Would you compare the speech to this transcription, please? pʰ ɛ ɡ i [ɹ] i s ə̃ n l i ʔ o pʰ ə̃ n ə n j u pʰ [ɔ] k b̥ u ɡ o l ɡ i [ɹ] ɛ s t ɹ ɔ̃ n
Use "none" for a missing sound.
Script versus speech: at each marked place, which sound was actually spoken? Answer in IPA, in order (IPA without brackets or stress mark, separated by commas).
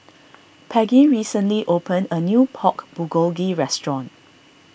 ɹ, ɔ, ɹ